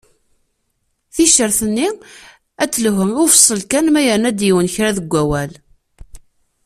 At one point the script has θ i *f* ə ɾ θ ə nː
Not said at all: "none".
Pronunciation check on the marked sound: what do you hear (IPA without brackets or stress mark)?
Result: ʃ